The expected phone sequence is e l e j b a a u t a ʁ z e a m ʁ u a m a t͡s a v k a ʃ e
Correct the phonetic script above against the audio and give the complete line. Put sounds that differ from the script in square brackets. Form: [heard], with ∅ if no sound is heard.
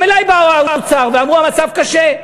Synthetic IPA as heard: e l [a] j b a a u [t͡s] a ʁ [v] e a m ʁ u a m a t͡s a v k a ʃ e